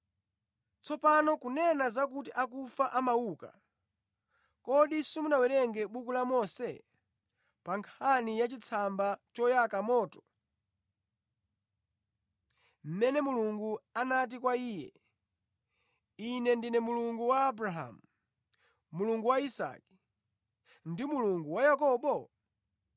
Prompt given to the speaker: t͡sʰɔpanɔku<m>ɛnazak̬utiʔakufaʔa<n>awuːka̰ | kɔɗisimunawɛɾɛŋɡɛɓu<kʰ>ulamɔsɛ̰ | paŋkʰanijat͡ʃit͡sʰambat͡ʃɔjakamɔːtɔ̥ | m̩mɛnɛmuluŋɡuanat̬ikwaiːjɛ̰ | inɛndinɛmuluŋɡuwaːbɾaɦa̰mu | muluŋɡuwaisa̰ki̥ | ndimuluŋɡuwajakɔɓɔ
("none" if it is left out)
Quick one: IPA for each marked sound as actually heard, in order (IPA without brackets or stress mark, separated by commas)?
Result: n, m, k